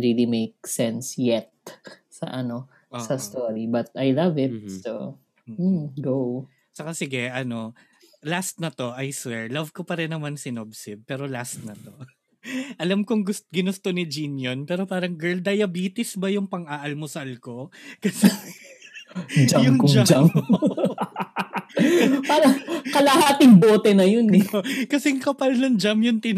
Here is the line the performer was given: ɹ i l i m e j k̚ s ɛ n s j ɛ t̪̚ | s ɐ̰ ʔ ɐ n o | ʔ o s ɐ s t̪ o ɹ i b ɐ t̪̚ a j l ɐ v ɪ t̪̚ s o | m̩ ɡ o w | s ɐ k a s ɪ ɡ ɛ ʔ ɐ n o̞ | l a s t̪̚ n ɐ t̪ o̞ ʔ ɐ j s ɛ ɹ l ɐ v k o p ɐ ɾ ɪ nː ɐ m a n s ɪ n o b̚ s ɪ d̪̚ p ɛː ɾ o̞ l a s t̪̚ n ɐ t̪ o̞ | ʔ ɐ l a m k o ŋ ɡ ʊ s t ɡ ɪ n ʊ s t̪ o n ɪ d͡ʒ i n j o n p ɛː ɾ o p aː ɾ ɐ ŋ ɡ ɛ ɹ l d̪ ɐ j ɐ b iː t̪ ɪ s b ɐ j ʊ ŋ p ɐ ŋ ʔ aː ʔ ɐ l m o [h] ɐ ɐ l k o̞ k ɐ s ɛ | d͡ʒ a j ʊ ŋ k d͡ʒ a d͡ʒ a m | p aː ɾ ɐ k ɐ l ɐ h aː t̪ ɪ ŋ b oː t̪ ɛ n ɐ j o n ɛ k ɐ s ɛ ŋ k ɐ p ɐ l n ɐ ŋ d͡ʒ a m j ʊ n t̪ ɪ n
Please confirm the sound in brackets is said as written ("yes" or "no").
no